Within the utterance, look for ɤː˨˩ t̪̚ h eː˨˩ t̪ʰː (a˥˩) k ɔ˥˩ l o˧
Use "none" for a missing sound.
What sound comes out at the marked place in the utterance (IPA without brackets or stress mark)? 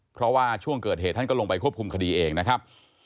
a˥˩